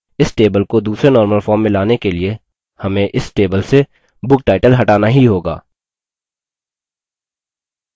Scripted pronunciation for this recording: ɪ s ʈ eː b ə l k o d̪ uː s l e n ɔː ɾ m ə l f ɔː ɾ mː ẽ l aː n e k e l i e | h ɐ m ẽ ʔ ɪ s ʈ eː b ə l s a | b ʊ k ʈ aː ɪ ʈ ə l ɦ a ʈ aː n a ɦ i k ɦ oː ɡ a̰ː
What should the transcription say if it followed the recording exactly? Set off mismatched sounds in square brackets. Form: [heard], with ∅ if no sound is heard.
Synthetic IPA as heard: ɪ s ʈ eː b ə l k o d̪ uː s [ɾ] e n ɔː ɾ m ə l f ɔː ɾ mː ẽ l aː n e k e l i e | h ɐ m ẽ ʔ ɪ s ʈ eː b ə l s [e] | b ʊ k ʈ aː ɪ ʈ ə l ɦ [ɐ] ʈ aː n a ɦ i [∅] ɦ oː ɡ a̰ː